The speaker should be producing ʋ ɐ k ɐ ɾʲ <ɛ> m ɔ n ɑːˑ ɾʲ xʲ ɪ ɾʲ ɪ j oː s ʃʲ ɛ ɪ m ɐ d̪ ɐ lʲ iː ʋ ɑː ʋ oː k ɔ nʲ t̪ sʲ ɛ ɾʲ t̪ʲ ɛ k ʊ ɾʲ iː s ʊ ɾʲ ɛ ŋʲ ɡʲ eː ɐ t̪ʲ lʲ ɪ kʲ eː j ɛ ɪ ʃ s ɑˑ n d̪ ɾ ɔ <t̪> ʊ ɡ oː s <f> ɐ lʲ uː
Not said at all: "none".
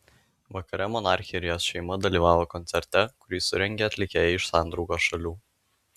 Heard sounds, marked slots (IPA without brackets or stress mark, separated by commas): ɛ, none, ʃ